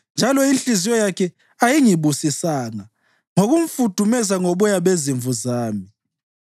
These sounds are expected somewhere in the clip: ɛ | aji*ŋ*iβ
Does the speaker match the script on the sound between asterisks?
yes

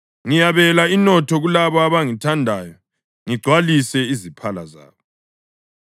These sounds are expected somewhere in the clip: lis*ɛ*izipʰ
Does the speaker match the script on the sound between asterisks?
yes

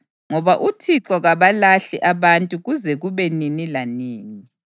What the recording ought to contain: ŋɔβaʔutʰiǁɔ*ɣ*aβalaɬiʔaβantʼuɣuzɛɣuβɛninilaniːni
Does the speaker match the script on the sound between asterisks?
yes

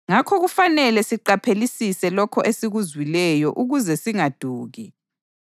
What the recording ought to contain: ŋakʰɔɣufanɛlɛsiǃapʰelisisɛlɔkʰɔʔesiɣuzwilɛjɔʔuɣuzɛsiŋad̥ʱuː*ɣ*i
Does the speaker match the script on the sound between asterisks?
yes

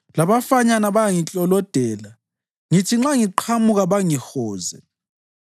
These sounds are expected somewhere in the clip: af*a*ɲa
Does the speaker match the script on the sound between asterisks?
yes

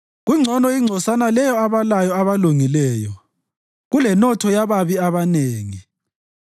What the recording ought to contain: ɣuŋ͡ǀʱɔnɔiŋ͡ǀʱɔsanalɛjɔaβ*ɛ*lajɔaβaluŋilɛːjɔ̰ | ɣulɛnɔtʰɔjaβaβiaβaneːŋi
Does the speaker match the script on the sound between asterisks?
no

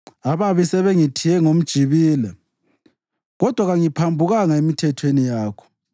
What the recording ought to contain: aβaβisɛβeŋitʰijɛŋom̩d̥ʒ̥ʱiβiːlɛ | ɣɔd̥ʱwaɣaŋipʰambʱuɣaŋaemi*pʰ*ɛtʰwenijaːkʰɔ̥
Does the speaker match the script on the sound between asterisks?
no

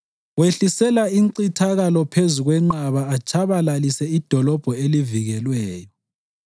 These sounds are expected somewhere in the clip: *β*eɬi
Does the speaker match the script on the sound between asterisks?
no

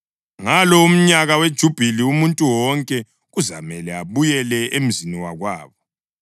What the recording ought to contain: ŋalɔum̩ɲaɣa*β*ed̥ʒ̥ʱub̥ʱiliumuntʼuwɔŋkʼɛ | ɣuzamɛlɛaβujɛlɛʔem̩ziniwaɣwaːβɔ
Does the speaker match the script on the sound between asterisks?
no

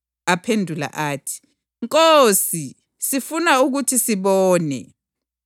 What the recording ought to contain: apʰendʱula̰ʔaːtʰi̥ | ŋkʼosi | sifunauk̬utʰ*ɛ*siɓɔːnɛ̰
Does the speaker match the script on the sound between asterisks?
no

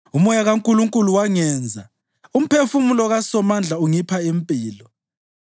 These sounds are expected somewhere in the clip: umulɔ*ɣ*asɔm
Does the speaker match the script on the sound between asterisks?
yes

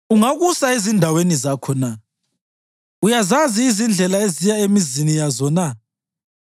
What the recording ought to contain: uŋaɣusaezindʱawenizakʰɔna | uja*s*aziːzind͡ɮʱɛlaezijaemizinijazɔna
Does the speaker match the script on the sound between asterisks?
no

